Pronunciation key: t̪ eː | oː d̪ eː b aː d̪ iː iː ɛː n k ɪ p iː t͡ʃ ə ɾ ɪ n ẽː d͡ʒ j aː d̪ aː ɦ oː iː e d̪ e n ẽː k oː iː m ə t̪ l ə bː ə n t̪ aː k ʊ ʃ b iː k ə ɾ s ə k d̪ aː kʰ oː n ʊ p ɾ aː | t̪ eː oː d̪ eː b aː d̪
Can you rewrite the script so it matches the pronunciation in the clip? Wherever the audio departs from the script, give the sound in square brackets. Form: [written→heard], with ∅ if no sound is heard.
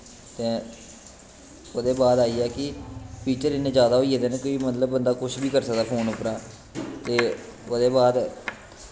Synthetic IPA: t̪ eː | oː d̪ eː b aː d̪ [iː→aː] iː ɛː [n→∅] k ɪ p iː t͡ʃ ə ɾ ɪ n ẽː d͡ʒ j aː d̪ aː ɦ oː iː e d̪ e n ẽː k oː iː m ə t̪ l ə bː ə n [t̪→d̪] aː k ʊ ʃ b iː k ə ɾ s ə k d̪ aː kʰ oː n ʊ p ɾ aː | t̪ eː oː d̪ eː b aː d̪